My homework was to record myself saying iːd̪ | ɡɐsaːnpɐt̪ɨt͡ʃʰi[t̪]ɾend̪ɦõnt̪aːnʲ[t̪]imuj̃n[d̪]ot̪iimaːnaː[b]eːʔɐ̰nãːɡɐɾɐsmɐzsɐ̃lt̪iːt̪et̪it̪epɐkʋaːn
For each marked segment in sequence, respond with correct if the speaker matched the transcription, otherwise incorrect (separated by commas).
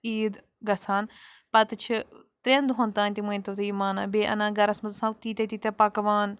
correct, correct, incorrect, correct